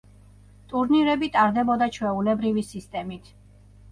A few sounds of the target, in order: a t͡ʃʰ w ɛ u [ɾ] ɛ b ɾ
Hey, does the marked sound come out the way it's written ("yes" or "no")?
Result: no